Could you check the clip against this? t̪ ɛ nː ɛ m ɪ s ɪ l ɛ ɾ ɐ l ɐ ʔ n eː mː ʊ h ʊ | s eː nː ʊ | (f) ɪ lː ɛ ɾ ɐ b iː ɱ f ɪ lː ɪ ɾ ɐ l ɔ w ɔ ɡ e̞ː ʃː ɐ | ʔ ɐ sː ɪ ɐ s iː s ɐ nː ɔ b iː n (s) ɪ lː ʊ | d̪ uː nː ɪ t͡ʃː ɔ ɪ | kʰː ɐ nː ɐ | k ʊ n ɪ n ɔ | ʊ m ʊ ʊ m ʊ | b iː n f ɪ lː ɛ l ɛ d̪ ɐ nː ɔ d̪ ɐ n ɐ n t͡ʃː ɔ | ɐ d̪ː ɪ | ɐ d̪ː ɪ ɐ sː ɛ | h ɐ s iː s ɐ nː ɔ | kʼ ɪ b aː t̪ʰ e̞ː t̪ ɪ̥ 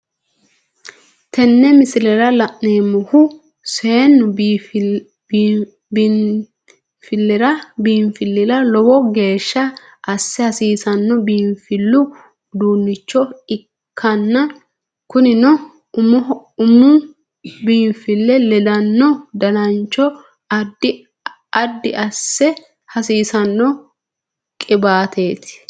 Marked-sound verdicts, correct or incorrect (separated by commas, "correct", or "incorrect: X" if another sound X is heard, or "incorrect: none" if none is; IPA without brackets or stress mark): correct, incorrect: f